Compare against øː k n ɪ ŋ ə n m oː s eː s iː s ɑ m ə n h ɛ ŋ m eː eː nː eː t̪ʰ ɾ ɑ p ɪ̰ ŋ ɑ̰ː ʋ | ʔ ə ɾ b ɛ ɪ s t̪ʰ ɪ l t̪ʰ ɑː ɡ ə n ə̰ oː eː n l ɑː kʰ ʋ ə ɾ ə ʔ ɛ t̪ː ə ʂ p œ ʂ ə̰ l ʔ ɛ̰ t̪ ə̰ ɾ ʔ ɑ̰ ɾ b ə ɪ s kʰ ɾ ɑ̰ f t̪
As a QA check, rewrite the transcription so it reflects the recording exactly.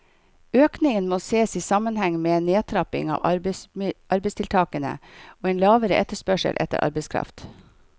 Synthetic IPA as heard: øː k n ɪ ŋ ə n m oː s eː s iː s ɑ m ə n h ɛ ŋ m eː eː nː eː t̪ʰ ɾ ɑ p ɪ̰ ŋ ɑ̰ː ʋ | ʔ ɑ ɾ b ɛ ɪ s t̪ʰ ɪ l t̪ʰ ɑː k ə n ə̰ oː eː n l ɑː ʋ ə ɾ ə ʔ ɛ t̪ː ə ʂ p œ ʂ ə̰ l ʔ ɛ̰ t̪ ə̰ ɾ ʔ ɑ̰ ɾ b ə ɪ s kʰ ɾ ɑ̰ f t̪